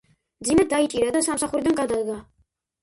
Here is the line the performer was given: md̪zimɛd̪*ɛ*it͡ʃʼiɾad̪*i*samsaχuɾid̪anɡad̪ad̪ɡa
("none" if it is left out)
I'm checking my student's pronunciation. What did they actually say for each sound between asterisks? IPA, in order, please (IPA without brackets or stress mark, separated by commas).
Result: a, a